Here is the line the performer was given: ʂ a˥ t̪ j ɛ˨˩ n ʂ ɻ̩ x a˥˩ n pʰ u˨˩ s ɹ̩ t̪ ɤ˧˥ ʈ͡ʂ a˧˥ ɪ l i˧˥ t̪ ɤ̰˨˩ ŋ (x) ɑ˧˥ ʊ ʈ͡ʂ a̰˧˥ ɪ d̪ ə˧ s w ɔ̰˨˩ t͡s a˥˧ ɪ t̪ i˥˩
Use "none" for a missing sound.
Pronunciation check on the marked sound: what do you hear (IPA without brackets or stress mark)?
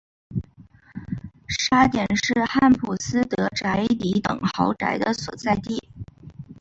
x